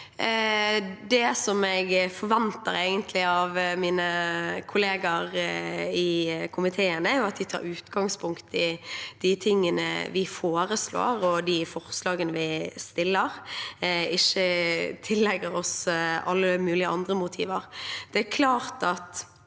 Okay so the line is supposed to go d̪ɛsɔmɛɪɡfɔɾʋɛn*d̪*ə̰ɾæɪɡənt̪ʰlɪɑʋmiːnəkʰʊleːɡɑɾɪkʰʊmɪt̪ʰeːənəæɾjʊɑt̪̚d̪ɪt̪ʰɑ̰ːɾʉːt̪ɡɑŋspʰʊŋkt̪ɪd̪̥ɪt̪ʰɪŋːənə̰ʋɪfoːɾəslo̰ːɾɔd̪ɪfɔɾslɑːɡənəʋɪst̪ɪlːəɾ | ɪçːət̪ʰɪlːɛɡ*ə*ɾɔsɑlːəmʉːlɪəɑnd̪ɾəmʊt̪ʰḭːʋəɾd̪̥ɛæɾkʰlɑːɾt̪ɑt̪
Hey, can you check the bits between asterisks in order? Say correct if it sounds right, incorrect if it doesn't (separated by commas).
incorrect, correct